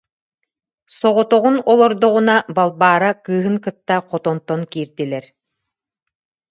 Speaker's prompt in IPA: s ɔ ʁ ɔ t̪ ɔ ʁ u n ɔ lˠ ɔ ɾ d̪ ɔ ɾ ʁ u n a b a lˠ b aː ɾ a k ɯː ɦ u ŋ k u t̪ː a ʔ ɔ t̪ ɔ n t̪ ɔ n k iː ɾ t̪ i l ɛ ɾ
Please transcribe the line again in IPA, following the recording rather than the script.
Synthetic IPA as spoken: s ɔ ʁ ɔ t̪ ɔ ʁ u n ɔ lˠ ɔ ɾ d̪ ɔ ʁ u n a b a lˠ b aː ɾ a k ɯː ɦ ɯ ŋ k ɯ t̪ː a q ɔ t̪ ɔ n t̪ ɔ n k iː ɾ d̪ i l ɛ ɾ